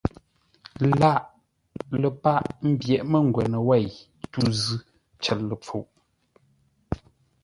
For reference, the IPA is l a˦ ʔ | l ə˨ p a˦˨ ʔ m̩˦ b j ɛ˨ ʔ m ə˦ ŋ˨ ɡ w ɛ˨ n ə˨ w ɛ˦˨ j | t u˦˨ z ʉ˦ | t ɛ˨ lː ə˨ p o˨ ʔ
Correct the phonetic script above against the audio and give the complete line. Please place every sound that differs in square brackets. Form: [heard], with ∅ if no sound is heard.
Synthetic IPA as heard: l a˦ ʔ | l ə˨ p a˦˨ ʔ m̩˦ b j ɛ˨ ʔ m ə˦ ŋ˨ ɡ w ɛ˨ n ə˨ w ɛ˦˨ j | t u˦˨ z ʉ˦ | [t͡ʃ] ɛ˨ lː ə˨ [p͡f] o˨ ʔ